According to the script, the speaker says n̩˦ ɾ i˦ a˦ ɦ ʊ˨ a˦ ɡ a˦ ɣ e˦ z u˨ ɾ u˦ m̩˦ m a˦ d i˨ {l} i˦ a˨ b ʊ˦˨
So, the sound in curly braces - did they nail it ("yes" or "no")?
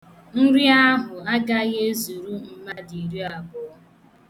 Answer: no